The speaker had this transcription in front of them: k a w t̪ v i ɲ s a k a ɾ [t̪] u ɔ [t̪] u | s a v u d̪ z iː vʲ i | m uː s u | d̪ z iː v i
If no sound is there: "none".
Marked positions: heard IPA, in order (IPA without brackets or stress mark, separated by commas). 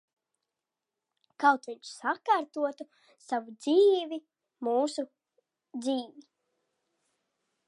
t̪, t̪